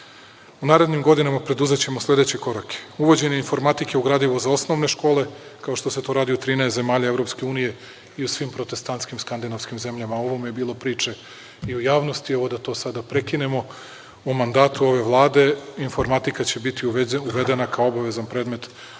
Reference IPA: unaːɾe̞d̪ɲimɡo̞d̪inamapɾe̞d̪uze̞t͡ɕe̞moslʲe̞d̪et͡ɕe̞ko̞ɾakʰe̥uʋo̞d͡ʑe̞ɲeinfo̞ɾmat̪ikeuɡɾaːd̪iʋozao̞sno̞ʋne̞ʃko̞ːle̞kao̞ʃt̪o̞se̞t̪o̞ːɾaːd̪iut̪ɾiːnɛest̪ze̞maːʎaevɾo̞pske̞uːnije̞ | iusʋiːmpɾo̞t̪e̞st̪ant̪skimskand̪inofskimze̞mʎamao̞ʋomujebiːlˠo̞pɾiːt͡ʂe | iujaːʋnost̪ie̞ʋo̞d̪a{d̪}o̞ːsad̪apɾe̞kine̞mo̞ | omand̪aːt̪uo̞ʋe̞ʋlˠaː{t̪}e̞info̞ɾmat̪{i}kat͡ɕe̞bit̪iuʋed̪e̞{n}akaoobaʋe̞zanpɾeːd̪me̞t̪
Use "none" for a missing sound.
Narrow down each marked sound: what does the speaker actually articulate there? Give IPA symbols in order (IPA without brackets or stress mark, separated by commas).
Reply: t̪, d̪, i, n